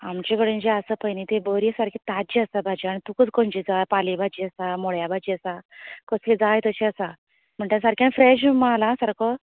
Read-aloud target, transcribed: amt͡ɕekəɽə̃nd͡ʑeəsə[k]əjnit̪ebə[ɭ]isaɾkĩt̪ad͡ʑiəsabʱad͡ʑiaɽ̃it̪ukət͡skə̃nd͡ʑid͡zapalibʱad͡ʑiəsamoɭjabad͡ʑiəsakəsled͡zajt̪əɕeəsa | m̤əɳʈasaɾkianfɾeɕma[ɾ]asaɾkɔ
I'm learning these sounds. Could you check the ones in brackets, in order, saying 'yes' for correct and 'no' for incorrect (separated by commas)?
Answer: no, no, no